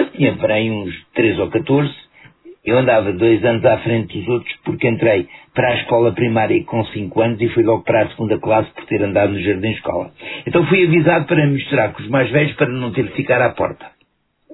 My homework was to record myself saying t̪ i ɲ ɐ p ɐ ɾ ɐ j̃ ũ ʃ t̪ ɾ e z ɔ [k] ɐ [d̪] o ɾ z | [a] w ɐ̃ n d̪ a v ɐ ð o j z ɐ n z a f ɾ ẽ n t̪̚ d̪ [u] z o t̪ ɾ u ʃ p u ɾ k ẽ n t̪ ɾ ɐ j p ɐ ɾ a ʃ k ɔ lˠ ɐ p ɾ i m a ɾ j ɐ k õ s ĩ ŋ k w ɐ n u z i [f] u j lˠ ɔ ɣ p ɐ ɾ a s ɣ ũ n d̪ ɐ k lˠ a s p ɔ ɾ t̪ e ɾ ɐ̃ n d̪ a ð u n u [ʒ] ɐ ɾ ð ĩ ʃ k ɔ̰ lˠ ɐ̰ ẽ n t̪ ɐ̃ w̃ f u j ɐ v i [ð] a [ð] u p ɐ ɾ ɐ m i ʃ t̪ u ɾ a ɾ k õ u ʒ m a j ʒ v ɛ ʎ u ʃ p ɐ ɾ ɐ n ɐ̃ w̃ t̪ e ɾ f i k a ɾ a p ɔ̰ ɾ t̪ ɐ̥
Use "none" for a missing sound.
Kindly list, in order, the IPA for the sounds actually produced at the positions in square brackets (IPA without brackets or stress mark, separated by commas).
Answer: k, t̪, e, u, f, ʒ, z, ð